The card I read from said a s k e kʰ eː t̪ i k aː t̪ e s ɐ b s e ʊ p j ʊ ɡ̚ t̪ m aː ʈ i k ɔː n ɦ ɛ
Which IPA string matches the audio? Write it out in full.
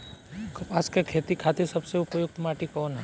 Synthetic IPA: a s k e kʰ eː t̪ i kʰ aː t̪ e s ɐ b s e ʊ p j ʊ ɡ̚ t̪ m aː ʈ i k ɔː n ɦ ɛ